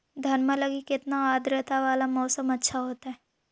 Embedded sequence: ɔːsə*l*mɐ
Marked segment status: incorrect: none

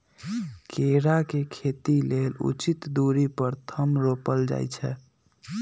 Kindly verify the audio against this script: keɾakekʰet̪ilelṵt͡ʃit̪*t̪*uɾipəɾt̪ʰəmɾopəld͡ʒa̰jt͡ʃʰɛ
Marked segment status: incorrect: d̪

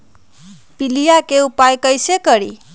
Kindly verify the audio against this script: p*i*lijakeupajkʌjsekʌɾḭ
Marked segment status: correct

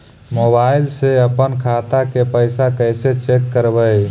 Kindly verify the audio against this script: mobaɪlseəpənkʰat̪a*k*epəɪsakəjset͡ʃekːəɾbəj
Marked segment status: correct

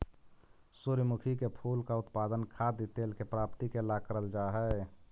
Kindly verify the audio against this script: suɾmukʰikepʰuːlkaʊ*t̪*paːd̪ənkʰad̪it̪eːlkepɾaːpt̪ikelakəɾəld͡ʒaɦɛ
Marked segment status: correct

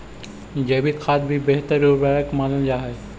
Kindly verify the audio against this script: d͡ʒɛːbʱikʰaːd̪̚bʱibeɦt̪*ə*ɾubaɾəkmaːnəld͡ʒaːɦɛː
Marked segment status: correct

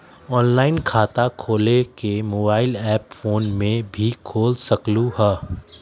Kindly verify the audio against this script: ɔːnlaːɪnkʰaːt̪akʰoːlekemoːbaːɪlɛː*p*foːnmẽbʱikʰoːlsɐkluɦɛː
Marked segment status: correct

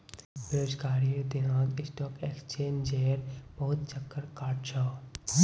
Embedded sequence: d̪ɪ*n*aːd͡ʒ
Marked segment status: correct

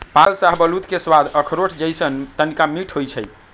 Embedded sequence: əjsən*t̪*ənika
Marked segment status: correct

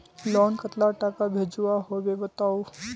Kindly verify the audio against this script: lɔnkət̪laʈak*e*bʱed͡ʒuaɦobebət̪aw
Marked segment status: incorrect: a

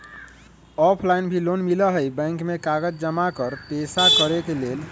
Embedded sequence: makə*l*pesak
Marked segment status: incorrect: ɾ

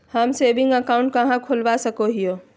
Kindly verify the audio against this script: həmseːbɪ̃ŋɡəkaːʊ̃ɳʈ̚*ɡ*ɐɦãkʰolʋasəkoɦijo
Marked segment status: incorrect: k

